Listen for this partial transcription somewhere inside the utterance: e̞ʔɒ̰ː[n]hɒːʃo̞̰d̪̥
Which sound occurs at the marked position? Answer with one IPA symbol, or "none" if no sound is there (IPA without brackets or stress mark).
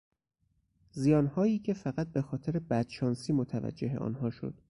n